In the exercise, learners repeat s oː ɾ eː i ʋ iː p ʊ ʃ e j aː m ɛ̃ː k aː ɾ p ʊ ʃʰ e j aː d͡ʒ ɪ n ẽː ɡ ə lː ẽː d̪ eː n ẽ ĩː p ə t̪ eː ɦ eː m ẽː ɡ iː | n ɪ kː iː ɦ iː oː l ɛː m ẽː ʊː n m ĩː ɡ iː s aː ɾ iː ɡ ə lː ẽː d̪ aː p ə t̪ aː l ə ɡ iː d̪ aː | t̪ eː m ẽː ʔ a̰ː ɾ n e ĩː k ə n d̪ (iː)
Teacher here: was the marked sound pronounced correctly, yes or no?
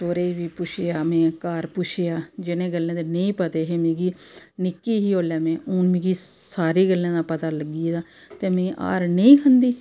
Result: yes